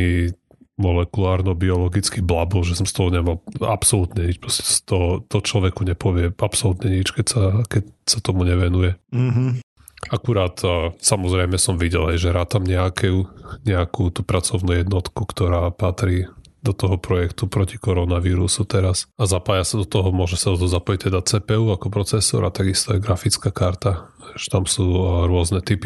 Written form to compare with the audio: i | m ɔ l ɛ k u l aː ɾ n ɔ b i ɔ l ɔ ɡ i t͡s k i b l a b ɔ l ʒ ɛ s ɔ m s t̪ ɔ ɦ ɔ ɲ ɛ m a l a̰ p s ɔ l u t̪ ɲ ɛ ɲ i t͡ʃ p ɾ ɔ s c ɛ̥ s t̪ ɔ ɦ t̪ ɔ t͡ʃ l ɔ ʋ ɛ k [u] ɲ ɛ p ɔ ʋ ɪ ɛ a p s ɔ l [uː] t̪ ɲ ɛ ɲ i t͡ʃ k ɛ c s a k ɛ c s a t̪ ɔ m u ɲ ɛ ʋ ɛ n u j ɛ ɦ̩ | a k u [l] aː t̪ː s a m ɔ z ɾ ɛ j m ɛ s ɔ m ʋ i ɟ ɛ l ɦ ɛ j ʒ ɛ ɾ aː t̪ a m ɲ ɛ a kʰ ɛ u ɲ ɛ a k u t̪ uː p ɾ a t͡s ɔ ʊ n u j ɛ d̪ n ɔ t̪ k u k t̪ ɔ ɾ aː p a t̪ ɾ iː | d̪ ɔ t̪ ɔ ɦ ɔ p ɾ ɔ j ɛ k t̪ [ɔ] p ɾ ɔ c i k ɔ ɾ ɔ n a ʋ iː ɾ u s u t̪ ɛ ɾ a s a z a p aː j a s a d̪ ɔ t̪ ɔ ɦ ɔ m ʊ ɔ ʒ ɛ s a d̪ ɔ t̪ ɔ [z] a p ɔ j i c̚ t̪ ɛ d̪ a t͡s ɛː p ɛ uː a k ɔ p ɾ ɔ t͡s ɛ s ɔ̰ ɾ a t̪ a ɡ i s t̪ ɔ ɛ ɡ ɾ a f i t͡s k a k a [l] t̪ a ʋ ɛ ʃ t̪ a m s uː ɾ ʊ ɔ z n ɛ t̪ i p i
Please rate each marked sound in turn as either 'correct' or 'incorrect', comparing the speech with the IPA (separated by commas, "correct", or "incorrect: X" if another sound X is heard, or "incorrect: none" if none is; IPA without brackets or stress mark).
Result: correct, incorrect: u, incorrect: ɾ, incorrect: u, correct, incorrect: ɾ